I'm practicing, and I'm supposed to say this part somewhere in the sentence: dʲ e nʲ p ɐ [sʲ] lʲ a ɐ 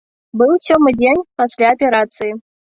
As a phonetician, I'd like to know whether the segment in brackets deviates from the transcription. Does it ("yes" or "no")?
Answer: no